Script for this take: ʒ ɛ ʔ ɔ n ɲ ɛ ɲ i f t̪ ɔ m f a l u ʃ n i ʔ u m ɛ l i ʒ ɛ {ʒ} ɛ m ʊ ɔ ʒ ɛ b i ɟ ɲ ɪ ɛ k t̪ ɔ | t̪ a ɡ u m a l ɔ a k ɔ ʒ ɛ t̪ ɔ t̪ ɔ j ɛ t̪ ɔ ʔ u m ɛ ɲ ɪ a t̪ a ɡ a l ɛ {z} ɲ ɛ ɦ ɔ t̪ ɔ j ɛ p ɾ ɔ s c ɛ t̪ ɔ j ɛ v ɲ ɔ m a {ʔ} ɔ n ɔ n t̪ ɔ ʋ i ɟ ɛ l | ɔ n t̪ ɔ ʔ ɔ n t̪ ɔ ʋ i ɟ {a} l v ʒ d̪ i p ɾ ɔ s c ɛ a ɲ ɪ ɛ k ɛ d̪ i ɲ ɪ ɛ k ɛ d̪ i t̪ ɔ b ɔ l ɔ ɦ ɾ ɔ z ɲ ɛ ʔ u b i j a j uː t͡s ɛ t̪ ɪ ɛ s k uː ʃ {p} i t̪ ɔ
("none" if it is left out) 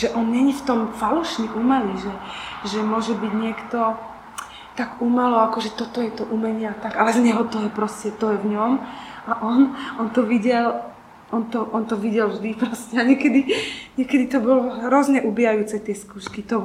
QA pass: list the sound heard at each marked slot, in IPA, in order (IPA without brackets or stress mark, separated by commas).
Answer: ʒ, z, ʔ, ɛ, k